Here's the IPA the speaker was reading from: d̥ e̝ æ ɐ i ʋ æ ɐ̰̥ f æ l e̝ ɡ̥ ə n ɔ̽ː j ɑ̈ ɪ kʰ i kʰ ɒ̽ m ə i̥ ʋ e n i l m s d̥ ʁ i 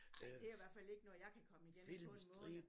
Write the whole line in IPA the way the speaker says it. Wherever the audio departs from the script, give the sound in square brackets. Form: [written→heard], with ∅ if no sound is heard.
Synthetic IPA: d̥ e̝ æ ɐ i ʋ æ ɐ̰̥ f æ l e̝ ɡ̥ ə n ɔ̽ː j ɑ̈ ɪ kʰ [i→æ] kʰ ɒ̽ m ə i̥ [ʋ→∅] e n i l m s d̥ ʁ i